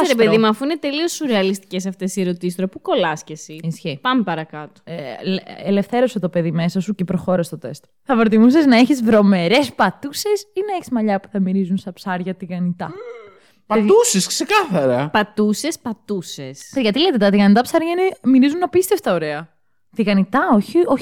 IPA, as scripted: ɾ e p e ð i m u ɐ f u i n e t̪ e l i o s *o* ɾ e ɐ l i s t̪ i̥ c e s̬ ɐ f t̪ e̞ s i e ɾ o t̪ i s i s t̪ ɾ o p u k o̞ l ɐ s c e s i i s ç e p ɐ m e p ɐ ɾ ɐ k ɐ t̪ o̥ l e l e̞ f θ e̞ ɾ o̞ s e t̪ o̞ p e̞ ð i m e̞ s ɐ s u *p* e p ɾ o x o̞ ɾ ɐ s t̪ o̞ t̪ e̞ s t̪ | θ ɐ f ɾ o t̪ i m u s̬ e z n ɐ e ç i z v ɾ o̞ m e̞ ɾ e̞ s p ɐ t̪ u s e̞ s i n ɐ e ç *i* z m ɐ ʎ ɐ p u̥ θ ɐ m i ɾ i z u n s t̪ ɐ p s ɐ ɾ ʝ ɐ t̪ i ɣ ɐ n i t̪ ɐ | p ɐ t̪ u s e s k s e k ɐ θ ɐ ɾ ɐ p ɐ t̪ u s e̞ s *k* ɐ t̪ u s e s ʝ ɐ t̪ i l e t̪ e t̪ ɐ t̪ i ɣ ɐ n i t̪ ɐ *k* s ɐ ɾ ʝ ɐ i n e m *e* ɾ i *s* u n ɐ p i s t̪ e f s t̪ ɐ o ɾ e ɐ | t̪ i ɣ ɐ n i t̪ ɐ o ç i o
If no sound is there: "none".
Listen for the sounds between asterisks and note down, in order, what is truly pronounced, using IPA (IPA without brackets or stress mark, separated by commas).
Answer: u, c, i, p, p, i, z